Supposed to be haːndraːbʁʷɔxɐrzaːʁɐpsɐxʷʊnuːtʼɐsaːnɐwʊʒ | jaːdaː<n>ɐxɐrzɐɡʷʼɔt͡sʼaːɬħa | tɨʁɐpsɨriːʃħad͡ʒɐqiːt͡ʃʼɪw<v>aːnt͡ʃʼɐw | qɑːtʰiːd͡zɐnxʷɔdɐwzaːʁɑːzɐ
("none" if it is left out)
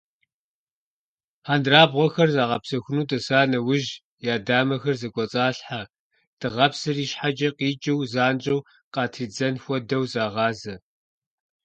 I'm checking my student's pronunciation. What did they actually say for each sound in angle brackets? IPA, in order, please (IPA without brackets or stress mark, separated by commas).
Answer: m, z